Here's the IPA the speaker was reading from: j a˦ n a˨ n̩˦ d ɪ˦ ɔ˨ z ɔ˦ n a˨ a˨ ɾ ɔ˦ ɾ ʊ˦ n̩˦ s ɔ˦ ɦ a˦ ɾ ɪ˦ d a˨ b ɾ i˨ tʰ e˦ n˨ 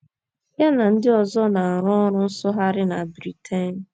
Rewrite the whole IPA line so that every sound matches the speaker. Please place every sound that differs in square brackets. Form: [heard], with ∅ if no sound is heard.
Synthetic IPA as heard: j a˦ n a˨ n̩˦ d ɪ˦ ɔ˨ z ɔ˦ n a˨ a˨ ɾ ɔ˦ ɾ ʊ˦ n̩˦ s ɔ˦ ɦ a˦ ɾ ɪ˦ [n] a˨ b ɾ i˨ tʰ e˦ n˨

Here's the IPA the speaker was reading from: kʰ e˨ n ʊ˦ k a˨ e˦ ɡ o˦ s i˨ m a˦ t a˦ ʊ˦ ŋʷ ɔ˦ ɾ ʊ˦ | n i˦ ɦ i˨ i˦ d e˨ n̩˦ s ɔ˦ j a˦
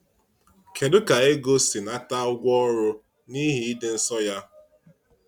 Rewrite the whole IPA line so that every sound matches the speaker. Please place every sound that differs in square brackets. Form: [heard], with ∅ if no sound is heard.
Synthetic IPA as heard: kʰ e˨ [d] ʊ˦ k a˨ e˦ ɡ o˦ s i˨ [n] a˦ t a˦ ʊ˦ [ɡʷ] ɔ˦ ɾ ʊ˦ | n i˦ ɦ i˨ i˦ d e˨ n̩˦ s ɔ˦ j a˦

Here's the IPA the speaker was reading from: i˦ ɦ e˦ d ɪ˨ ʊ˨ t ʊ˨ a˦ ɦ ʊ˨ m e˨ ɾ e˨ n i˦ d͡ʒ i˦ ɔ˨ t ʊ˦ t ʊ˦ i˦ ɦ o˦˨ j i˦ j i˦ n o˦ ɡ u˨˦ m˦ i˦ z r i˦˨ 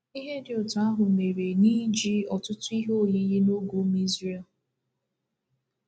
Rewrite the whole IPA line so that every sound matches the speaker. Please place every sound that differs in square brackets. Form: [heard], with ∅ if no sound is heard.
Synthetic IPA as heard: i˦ ɦ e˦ d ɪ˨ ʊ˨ t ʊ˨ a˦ ɦ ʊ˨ m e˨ ɾ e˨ n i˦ d͡ʒ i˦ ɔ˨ t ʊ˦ t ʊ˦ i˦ ɦ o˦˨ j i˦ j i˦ n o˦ ɡ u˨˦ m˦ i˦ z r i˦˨

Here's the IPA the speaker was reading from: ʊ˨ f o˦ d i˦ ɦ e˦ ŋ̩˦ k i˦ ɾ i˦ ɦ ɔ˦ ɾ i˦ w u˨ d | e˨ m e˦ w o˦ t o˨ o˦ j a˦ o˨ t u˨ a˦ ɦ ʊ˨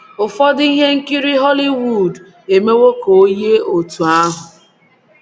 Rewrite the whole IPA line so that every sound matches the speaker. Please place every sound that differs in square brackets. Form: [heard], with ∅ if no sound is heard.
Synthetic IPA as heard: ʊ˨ f [ɔ˦] d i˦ ɦ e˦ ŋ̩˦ k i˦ ɾ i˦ ɦ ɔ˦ [l] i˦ w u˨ d | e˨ m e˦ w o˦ [k] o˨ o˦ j [e˦] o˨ t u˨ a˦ ɦ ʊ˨

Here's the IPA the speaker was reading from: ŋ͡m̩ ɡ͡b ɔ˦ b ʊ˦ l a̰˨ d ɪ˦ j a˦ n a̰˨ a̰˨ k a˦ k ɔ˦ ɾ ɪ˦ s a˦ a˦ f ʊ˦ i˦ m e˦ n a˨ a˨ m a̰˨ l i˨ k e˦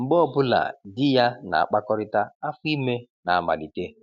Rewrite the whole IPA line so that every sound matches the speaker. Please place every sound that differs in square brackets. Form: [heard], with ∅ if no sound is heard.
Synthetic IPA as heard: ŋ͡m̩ ɡ͡b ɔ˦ b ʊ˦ l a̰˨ d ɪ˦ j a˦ n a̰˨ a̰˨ [k͡p] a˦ k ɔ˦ ɾ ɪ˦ [t] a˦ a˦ f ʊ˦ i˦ m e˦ n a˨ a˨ m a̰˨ l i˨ [t] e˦

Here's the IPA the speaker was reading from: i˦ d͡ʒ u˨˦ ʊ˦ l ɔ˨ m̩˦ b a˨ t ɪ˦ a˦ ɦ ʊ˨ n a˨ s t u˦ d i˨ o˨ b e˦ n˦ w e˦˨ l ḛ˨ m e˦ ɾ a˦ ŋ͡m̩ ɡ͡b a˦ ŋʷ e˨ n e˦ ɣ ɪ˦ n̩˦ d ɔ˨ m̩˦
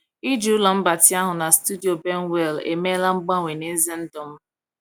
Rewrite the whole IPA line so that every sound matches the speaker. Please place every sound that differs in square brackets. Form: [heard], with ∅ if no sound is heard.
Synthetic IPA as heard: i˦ d͡ʒ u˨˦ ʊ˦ l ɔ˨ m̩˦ b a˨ t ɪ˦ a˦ ɦ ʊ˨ n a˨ s t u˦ d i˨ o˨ b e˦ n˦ w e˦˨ l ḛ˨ m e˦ [l] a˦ ŋ͡m̩ ɡ͡b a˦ ŋʷ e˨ n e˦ [z] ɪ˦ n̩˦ d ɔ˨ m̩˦

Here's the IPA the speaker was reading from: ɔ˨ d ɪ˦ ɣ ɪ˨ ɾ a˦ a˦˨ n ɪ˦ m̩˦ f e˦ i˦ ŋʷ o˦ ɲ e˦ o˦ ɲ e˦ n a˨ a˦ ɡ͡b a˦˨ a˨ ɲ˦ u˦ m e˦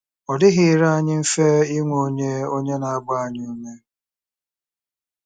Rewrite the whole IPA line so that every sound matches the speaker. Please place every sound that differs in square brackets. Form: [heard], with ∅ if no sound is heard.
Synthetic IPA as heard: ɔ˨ d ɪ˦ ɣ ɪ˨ ɾ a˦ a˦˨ [ɲ] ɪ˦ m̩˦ f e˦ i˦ ŋʷ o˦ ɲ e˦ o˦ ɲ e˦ n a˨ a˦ ɡ͡b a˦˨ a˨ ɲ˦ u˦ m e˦

